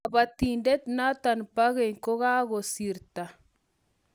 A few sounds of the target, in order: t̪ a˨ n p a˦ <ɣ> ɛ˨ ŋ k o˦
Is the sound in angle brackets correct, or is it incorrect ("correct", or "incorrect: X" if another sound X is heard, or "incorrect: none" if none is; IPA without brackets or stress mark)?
correct